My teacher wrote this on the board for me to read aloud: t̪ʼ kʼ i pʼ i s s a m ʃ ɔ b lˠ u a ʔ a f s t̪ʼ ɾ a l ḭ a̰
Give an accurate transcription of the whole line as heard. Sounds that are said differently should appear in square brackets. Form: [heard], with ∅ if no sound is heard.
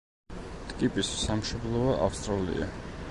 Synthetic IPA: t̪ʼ kʼ i pʼ i s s a m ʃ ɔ b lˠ [ɔ] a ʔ a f s t̪ʼ ɾ a l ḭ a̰